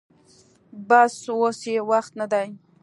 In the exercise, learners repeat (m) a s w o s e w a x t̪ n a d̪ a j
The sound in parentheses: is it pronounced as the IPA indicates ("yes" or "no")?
no